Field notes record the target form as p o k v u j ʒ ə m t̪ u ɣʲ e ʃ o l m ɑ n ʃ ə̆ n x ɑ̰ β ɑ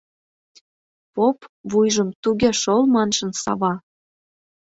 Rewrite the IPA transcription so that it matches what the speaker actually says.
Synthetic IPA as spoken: p o p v u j ʒ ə m t̪ u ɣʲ e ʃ o l m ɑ n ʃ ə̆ n s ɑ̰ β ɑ